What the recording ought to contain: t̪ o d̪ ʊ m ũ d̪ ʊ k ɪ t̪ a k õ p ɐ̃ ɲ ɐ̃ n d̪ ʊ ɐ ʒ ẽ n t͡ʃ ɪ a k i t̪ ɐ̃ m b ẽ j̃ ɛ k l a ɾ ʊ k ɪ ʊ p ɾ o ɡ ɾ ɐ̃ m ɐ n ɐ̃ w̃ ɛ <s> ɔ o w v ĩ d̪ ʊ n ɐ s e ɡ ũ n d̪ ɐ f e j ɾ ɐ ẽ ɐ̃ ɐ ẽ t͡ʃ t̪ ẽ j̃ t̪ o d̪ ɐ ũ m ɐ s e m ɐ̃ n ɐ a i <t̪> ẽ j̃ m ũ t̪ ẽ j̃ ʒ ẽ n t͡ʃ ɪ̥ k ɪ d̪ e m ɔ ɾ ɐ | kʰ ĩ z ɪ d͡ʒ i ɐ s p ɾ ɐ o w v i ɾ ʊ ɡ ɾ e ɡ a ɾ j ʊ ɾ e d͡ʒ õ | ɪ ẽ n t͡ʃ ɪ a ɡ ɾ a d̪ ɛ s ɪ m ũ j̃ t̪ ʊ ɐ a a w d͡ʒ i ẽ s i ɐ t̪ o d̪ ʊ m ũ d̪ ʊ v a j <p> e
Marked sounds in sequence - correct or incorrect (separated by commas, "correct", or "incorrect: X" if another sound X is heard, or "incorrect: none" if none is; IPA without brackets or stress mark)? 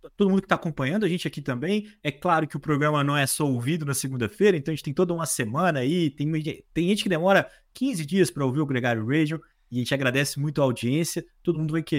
correct, correct, incorrect: k